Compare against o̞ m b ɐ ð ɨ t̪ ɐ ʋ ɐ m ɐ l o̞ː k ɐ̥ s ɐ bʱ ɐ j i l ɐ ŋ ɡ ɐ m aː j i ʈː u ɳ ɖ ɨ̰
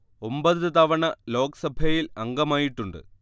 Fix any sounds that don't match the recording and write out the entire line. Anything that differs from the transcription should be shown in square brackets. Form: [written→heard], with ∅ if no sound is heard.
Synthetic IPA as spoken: o̞ m b ɐ ð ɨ t̪ ɐ ʋ ɐ [m→ɳ] ɐ l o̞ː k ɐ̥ s ɐ bʱ ɐ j i l ɐ ŋ ɡ ɐ m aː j i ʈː u ɳ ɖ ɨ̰